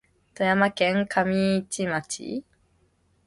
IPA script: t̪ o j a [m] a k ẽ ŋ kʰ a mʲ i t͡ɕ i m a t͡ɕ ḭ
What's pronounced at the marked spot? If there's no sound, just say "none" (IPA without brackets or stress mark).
m